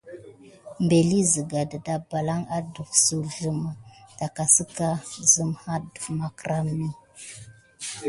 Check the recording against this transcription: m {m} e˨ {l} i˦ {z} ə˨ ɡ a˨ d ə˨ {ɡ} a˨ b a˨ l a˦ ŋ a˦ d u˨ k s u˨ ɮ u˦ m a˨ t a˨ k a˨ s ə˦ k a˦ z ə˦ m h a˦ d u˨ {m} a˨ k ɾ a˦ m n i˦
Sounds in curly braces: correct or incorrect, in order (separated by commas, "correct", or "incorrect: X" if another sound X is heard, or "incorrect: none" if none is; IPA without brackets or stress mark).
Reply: incorrect: b, correct, correct, incorrect: d, correct